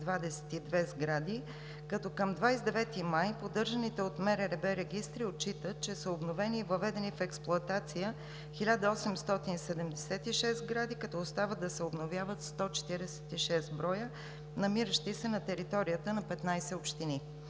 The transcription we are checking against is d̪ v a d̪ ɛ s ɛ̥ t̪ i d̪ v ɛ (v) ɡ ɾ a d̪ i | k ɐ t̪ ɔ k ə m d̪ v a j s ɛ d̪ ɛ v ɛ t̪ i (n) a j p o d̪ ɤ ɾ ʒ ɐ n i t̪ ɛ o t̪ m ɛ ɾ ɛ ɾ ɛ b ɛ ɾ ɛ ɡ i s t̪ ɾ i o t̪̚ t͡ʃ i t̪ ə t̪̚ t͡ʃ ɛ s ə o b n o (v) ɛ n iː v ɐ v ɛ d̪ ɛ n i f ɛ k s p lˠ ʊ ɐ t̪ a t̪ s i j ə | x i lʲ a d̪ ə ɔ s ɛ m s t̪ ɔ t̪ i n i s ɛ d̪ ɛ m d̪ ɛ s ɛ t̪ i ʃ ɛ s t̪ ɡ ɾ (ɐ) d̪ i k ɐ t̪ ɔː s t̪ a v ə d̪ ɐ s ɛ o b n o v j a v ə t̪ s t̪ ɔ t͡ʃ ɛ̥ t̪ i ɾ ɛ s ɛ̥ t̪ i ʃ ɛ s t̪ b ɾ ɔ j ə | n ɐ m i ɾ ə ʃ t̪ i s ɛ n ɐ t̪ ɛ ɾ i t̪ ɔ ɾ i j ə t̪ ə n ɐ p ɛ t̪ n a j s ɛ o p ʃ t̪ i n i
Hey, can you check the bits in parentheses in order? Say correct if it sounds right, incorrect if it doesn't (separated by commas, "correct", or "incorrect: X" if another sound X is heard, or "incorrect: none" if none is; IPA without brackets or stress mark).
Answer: incorrect: z, incorrect: m, correct, incorrect: a